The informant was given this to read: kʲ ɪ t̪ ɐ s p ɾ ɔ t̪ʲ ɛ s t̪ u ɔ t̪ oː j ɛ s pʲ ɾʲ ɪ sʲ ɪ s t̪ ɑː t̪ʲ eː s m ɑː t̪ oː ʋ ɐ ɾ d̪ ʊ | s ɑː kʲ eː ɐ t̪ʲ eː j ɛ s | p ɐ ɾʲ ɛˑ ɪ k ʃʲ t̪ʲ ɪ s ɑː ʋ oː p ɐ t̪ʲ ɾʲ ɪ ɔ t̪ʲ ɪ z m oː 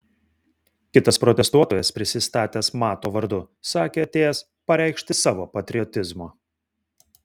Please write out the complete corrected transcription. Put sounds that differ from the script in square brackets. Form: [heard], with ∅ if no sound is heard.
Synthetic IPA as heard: kʲ ɪ t̪ ɐ s p ɾ ɔ t̪ʲ ɛ s t̪ u ɔ t̪ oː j ɛ s pʲ ɾʲ ɪ sʲ ɪ s t̪ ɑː t̪ʲ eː s m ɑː t̪ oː ʋ ɐ ɾ d̪ ʊ | s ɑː kʲ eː ɐ t̪ʲ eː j ɛ s | p ɐ ɾʲ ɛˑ ɪ k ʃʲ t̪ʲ ɪ s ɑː ʋ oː p ɐ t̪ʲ ɾʲ ɪ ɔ t̪ʲ ɪ z m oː